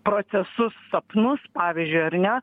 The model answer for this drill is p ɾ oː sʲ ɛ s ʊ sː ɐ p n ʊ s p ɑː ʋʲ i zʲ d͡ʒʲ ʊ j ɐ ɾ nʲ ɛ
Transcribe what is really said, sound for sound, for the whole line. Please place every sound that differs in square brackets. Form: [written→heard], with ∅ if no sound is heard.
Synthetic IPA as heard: p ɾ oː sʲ ɛ s ʊ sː ɐ p n ʊ s p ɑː ʋʲ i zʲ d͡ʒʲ ʊ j ɐ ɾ nʲ ɛ